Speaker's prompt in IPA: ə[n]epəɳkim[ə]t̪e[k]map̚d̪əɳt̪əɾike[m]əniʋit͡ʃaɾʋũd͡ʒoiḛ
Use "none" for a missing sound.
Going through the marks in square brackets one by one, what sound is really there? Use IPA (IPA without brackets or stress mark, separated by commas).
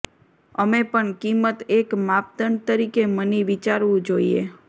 m, ə, k, m